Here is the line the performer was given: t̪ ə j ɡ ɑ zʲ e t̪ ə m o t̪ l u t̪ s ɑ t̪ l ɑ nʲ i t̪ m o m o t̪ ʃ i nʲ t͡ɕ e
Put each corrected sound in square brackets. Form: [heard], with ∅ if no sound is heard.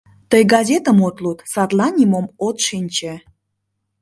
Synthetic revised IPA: t̪ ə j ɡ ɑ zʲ e t̪ ə m o t̪ l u t̪ s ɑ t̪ l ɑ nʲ i [∅] m o m o t̪ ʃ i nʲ t͡ɕ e